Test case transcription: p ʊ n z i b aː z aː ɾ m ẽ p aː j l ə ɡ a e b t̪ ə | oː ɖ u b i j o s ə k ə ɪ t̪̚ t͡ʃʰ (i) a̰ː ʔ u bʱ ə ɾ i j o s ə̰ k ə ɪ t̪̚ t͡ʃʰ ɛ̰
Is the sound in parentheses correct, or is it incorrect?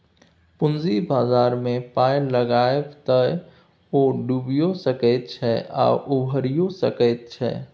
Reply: incorrect